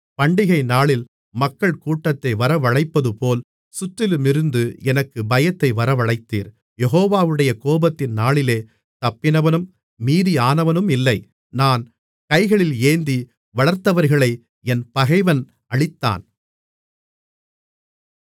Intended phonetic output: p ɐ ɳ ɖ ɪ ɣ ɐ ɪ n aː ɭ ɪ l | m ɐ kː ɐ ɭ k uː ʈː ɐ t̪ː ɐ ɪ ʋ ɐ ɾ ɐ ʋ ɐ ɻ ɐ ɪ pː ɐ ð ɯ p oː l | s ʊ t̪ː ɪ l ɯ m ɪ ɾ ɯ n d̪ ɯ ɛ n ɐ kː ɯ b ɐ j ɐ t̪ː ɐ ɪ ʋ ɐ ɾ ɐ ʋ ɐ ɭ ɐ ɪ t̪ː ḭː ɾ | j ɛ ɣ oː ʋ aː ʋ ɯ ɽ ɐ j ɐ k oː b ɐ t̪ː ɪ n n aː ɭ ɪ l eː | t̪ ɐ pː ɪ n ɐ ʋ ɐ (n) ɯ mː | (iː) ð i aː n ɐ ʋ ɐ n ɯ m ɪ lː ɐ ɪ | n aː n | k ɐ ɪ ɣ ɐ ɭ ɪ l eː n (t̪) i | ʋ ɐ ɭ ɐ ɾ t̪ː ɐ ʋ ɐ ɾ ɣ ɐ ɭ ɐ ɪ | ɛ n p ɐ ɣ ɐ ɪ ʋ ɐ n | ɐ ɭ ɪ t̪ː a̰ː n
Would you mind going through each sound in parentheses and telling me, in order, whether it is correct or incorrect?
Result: correct, correct, incorrect: d̪

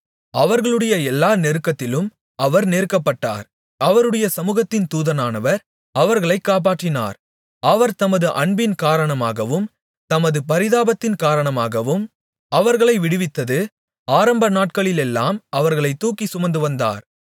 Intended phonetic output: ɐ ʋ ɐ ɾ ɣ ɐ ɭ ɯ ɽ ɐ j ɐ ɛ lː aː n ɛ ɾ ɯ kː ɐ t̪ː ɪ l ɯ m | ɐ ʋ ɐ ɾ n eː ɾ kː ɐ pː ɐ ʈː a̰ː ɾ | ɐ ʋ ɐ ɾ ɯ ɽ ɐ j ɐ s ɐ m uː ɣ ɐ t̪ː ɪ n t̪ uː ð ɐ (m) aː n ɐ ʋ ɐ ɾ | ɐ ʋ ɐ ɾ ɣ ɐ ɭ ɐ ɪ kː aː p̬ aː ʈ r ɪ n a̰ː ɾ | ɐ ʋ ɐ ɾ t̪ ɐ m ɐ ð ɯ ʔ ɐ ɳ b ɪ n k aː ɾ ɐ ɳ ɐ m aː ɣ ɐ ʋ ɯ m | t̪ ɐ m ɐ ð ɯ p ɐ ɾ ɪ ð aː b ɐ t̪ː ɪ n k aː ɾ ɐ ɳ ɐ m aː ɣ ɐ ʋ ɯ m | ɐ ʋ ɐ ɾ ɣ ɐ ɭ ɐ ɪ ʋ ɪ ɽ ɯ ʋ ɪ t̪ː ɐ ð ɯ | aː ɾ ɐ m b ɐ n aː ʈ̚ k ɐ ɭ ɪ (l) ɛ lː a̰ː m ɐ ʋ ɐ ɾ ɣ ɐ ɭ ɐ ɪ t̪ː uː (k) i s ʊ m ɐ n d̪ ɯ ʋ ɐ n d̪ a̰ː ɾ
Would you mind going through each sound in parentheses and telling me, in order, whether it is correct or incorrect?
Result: incorrect: n, correct, correct

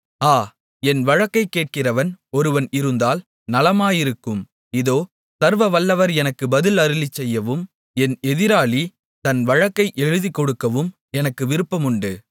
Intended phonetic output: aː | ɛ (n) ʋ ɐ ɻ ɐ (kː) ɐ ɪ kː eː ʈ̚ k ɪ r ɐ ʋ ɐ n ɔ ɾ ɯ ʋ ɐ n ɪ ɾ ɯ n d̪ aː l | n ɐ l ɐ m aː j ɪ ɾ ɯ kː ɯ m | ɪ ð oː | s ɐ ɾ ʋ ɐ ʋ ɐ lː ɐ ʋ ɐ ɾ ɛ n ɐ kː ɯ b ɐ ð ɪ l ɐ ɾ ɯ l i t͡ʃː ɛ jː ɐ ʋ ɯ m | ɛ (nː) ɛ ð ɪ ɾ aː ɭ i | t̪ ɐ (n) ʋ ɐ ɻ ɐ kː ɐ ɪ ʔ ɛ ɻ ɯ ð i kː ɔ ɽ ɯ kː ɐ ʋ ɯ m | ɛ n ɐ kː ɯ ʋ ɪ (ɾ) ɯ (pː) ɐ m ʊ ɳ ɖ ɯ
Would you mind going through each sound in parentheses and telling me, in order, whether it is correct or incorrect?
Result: correct, correct, incorrect: n, correct, correct, correct

